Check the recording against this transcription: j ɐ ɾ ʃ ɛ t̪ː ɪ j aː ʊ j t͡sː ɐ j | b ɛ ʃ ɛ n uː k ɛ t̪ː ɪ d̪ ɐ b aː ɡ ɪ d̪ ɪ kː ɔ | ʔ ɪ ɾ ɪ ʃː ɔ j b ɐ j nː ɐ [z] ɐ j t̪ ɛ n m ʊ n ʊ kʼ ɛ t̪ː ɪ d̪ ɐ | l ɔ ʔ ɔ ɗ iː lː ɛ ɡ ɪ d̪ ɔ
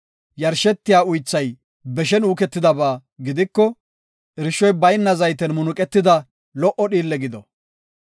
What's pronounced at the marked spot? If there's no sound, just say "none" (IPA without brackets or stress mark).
z